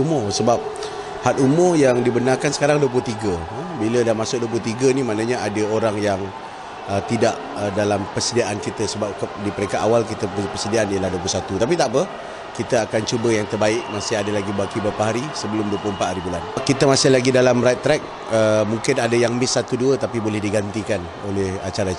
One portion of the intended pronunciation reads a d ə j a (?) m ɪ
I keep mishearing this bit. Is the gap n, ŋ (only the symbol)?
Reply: ŋ